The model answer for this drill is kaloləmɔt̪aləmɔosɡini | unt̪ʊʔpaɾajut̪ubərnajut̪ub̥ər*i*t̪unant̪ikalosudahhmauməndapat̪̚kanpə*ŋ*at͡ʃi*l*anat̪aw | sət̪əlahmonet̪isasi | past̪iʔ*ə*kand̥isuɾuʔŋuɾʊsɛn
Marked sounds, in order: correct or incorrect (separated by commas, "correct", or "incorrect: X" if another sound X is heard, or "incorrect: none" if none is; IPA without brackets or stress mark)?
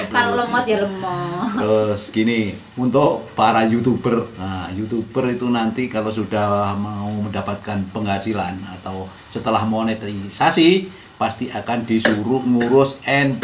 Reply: correct, correct, correct, incorrect: a